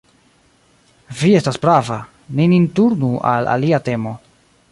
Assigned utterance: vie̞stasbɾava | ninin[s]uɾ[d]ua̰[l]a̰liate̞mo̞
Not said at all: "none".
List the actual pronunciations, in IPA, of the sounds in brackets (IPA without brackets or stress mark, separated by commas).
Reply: t, n, l